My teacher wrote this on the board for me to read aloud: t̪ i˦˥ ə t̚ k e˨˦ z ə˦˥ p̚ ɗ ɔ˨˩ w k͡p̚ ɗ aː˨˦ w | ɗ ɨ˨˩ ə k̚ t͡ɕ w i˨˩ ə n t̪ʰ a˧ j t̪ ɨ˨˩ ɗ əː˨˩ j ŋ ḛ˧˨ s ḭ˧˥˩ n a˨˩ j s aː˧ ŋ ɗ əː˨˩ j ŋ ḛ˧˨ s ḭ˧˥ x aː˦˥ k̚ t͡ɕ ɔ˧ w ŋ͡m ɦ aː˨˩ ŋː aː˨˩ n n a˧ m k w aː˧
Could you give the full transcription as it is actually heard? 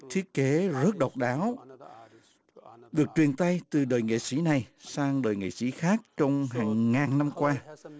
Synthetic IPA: t̪ʰ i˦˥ ə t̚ k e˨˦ z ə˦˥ t̚ ɗ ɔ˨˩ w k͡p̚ ɗ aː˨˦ w | ɗ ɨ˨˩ ə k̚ t͡ɕ w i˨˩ ə n t̪ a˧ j t̪ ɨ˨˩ ɗ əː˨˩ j ŋ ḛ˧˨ s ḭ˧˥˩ n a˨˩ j s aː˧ ŋ ɗ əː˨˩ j ŋ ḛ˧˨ s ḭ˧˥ x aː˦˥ k̚ t͡ɕ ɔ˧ w ŋ͡m ɦ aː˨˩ ŋː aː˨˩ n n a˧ m k w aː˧